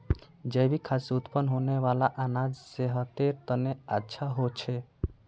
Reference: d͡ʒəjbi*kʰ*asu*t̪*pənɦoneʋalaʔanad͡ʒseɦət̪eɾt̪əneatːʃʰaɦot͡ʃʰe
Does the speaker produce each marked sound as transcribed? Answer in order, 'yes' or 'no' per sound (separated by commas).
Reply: yes, yes